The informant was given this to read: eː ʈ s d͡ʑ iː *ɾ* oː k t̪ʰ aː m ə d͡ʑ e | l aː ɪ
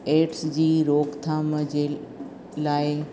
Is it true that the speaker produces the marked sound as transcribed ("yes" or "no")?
yes